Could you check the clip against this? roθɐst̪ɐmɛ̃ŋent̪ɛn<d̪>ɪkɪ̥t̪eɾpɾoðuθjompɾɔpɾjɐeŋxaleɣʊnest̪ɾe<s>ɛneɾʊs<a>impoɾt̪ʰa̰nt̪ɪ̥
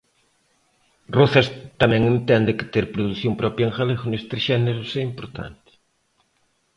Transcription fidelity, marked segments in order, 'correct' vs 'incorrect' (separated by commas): correct, incorrect, incorrect